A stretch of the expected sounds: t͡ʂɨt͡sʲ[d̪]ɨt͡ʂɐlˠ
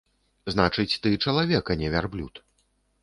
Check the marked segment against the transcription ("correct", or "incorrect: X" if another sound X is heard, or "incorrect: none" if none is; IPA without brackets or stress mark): incorrect: t̪